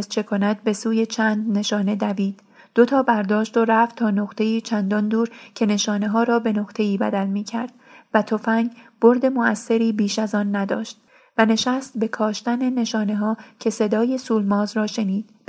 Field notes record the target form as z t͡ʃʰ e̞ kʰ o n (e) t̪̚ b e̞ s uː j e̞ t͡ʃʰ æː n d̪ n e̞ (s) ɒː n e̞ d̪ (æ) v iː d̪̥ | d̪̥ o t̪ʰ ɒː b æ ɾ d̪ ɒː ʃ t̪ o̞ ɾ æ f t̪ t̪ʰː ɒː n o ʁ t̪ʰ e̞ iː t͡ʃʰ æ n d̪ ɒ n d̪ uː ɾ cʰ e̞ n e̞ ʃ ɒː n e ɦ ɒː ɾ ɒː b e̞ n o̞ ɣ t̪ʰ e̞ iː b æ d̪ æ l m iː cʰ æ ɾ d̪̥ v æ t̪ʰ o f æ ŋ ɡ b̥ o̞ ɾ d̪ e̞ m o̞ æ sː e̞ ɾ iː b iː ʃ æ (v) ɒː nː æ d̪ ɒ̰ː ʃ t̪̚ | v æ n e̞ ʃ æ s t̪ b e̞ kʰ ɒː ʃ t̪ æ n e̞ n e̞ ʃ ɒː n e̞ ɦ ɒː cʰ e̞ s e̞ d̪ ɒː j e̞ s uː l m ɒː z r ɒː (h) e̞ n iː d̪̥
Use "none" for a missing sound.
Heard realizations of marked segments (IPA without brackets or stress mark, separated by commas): æ, ʃ, æ, z, ʃ